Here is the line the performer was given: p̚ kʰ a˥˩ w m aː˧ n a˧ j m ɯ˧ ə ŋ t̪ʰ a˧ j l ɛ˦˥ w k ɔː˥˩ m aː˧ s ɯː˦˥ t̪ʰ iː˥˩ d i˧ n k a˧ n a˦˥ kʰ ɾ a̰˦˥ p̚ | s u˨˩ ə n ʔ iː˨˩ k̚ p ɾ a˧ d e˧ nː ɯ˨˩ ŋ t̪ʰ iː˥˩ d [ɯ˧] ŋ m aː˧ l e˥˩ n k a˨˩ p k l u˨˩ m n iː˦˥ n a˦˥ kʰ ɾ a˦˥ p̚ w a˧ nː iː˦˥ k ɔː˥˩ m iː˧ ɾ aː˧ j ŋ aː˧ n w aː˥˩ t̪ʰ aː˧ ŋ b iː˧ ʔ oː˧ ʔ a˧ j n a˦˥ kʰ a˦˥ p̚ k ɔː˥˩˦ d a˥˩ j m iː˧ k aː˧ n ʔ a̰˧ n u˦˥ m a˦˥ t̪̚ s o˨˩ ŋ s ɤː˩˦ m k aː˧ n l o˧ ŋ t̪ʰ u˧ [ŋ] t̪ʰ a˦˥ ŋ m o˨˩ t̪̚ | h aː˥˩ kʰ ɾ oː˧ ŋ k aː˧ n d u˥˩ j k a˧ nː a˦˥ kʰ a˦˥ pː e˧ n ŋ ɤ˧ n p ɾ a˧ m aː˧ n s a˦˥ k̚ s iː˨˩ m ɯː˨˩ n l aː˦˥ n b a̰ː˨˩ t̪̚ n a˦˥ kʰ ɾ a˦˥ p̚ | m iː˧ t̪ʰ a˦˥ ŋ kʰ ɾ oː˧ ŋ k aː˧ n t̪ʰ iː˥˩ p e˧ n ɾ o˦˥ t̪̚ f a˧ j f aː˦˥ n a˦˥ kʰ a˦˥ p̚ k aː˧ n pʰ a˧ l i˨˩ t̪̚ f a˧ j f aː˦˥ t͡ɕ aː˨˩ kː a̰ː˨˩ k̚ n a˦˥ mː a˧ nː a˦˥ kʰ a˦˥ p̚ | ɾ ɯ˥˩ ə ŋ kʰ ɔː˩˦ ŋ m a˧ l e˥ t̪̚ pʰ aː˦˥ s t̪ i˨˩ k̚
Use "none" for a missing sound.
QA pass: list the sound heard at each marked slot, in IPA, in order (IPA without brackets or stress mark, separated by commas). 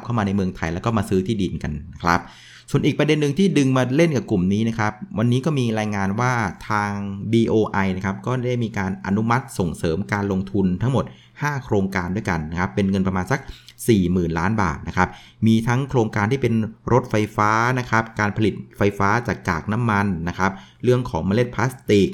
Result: ɯ˧, n